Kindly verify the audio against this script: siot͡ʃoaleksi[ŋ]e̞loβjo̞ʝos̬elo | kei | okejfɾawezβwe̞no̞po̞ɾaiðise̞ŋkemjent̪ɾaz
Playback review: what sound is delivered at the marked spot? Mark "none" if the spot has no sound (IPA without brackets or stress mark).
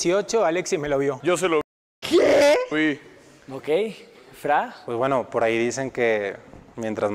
m